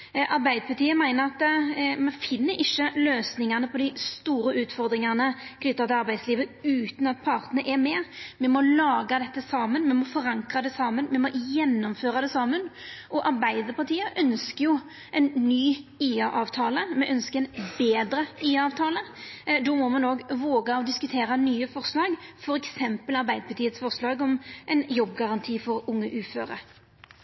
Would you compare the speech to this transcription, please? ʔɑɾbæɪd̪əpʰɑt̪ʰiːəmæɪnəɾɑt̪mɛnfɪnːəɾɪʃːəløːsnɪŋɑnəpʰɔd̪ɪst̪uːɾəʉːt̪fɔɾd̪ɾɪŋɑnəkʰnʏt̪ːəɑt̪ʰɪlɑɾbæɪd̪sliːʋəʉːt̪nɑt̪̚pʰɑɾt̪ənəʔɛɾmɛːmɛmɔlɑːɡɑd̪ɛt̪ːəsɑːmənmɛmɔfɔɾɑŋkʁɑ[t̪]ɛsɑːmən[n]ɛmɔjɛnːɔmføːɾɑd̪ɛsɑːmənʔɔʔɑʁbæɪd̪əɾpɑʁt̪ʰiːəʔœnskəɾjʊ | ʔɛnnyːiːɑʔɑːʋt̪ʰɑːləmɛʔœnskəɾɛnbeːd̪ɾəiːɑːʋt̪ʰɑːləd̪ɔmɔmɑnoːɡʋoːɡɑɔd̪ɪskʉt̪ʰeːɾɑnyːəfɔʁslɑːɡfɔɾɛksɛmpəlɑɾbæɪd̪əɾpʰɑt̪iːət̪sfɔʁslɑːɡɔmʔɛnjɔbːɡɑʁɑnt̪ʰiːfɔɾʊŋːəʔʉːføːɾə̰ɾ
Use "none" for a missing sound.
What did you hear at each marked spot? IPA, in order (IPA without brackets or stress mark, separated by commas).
d̪, m